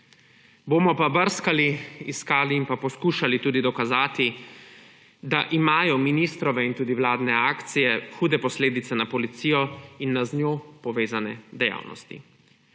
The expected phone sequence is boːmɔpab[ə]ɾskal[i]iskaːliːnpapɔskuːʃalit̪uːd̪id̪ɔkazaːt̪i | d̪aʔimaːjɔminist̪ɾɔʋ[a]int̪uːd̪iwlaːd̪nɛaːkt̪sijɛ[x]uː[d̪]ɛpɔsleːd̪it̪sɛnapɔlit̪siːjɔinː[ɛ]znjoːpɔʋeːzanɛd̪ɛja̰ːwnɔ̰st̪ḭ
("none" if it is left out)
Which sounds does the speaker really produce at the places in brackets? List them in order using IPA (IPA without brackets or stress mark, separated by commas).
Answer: ə, i, ɛ, x, d̪, a